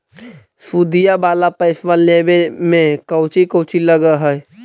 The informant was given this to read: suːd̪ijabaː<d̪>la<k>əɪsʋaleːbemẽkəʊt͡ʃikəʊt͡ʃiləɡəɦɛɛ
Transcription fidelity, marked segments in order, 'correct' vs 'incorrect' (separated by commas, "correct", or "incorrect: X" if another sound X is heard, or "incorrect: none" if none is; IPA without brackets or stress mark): incorrect: none, incorrect: p